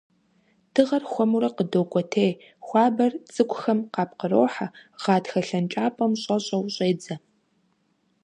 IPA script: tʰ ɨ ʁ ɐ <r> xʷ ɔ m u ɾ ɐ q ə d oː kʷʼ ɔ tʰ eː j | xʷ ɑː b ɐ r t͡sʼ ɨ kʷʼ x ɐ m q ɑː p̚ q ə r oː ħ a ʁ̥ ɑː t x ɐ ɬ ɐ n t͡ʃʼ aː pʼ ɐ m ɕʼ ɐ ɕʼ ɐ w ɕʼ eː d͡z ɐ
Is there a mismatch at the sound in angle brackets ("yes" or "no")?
no